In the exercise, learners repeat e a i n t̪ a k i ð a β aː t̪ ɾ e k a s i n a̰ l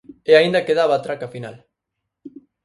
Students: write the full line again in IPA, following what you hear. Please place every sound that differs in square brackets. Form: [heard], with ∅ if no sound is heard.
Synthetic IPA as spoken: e a i n [d̪] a k [e] ð a β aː t̪ ɾ [a] k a [f] i n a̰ l